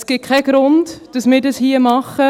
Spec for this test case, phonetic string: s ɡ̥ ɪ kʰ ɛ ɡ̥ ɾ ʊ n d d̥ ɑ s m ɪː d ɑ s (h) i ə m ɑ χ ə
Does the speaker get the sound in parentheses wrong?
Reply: no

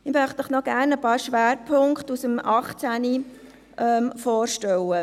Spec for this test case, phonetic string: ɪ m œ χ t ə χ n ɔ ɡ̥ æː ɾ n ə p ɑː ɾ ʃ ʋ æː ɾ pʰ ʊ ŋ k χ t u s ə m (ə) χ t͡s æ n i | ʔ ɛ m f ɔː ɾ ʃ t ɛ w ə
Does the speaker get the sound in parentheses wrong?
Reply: yes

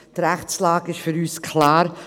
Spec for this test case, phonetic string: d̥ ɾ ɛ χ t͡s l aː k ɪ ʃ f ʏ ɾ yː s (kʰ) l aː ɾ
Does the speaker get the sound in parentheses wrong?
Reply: no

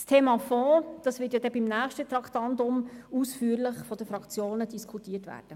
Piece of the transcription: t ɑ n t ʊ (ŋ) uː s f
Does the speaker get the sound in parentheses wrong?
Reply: yes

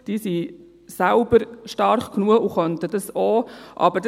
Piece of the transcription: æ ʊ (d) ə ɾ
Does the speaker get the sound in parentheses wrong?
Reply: yes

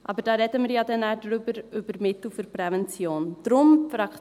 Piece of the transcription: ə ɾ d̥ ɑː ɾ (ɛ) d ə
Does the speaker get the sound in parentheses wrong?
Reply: no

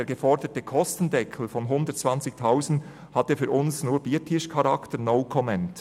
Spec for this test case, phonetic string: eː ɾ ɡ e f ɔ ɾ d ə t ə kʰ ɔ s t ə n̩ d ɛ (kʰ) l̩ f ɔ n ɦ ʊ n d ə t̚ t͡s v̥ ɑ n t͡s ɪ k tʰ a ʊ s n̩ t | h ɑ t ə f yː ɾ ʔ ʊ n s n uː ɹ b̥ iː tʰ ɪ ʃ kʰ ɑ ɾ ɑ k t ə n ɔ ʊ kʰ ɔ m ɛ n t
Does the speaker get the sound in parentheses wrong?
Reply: no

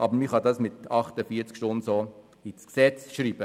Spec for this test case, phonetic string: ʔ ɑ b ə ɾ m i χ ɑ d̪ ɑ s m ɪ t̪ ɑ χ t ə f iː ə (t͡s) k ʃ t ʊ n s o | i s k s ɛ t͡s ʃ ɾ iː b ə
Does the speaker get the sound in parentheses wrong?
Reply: no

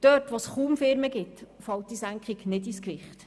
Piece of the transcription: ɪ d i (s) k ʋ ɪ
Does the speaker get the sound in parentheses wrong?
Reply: no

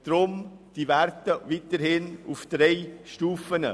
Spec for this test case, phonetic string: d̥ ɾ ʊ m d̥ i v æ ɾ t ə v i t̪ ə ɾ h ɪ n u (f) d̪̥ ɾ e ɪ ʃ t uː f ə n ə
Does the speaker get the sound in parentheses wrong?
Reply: no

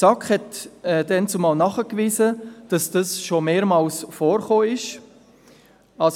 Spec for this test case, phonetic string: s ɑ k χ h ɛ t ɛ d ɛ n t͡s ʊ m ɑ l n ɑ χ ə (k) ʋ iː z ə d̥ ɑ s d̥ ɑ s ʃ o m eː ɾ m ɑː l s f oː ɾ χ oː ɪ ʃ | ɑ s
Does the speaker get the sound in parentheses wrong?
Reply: no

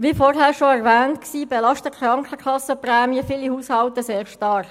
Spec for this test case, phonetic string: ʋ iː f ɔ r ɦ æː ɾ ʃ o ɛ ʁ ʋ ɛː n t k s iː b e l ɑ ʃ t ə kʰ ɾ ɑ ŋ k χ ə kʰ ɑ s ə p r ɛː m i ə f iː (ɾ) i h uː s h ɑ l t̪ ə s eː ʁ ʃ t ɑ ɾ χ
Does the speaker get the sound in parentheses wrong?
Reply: yes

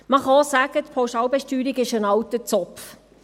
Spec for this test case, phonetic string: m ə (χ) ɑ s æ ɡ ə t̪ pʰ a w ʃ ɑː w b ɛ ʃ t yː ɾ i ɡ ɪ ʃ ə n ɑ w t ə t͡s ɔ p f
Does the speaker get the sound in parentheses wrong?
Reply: no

